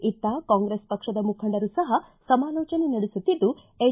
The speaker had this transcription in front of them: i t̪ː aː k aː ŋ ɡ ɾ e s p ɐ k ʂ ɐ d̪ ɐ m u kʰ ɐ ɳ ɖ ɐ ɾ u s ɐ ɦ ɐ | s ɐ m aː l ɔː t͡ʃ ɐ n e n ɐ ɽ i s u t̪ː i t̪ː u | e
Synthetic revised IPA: i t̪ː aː k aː ŋ ɡ ɾ e s p ɐ k ʂ ɐ d̪ ɐ m u kʰ ɐ ɳ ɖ ɐ ɾ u s ɐ ɦ ɐ | s ɐ m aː l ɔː t͡ʃ ɐ n e n ɐ ɽ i s u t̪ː i d̪ː u | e

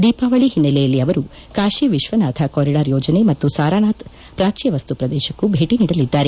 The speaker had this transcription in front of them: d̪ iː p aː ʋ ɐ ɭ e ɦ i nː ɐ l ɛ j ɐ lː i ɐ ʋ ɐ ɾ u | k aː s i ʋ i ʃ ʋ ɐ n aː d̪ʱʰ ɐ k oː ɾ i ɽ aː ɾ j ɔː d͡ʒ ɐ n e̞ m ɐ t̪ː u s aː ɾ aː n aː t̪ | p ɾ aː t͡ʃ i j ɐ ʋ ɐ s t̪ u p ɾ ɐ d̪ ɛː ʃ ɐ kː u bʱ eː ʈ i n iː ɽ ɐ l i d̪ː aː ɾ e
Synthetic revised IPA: d̪ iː p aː ʋ ɐ ɭ i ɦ i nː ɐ l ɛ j ɐ lː i ɐ ʋ ɐ ɾ u | k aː ʃ i ʋ i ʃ ʋ ɐ n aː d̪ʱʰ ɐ k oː ɾ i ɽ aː ɾ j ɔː d͡ʒ ɐ n e̞ m ɐ t̪ː u s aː ɾ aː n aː t̪ | p ɾ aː t͡ʃ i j ɐ ʋ ɐ s t̪ u p ɾ ɐ d̪ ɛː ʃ ɐ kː u bʱ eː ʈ i n iː ɽ ɐ l i d̪ː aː ɾ e

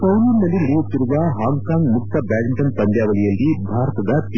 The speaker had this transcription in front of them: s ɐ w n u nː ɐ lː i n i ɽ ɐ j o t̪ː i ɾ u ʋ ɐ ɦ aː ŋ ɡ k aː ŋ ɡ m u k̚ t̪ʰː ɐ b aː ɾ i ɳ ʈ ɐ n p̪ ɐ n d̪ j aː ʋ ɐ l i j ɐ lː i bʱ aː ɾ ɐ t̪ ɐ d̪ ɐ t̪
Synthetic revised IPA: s ɐ w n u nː ɐ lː i n i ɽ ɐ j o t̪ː i ɾ u ʋ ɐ ɦ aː ŋ ɡ k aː ŋ ɡ m u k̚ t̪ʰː ɐ b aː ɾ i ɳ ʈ ɐ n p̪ ɐ n d̪ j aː ʋ ɐ l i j ɐ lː i bʱ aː ɾ ɐ t̪ ɐ d̪ ɐ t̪

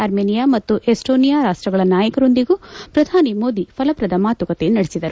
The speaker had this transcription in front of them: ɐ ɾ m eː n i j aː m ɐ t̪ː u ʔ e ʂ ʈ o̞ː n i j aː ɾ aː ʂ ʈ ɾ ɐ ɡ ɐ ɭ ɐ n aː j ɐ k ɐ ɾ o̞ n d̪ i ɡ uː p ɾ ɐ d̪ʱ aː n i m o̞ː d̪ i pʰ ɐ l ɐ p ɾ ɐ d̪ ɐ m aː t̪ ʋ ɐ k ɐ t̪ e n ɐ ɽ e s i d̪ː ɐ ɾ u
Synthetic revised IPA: ɐ ɾ m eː n i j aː m ɐ t̪ː u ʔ e s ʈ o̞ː n i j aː ɾ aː ʂ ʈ ɾ ɐ ɡ ɐ ɭ ɐ n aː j ɐ k ɐ ɾ o̞ n d̪ i ɡ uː p ɾ ɐ d̪ʱ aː n i m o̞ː d̪ i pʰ ɐ l ɐ p ɾ ɐ d̪ ɐ m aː t̪ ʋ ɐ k ɐ t̪ e n ɐ ɽ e s i d̪ ɐ ɾ u

